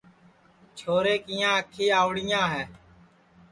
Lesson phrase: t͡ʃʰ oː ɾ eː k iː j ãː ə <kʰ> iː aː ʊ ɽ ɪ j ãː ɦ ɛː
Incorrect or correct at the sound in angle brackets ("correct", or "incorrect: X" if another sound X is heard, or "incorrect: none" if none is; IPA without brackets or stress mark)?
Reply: correct